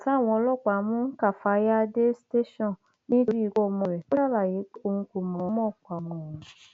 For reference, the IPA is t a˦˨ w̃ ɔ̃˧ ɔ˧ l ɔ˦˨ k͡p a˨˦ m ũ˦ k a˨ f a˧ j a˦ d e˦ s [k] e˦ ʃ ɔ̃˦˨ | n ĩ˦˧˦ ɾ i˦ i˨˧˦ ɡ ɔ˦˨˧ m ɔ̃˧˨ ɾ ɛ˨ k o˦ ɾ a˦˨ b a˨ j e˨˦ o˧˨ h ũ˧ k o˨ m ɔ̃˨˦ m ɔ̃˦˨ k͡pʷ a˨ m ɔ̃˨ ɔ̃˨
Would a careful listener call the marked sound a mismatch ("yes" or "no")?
yes